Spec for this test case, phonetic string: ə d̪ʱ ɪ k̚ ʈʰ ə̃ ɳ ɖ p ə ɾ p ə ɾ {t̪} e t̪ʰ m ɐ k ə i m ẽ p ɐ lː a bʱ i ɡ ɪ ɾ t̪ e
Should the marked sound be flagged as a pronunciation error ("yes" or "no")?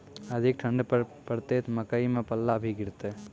no